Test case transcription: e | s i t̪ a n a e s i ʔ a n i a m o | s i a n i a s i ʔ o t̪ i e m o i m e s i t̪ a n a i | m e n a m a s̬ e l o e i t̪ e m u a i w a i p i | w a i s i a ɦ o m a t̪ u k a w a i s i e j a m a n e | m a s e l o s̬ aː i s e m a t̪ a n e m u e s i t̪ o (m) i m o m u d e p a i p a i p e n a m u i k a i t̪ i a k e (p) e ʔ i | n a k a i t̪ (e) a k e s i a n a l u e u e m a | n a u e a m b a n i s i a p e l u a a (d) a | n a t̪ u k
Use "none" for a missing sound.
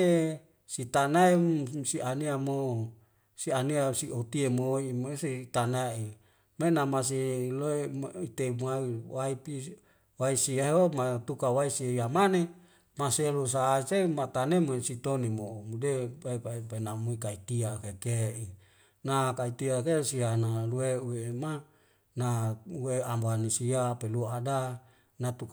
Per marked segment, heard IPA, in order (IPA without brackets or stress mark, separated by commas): n, k, i, d